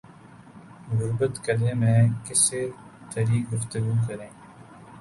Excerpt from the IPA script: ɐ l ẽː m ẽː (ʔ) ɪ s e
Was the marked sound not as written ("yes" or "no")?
yes